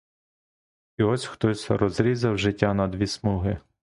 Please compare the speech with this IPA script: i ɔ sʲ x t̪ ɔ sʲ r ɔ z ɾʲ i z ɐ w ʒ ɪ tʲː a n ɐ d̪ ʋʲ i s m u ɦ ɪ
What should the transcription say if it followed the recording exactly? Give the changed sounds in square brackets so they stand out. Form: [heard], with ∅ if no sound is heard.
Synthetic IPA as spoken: i ɔ sʲ x t̪ ɔ sʲ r ɔ z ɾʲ i z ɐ w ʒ ɪ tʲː a n ɐ d̪ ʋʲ i s m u ɦ ɪ